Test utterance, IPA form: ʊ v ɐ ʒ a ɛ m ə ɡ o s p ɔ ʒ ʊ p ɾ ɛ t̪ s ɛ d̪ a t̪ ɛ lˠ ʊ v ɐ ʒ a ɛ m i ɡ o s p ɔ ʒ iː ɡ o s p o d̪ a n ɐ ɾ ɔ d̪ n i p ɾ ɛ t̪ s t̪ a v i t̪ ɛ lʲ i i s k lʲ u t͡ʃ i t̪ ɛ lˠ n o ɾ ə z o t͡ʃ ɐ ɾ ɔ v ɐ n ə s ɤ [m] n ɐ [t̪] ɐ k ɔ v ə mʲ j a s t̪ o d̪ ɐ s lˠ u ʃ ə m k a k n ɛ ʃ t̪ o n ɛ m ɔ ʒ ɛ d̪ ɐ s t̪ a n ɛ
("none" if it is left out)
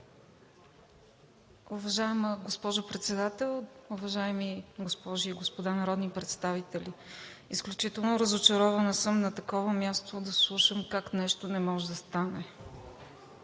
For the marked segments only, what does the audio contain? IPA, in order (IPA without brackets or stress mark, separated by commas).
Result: m, t̪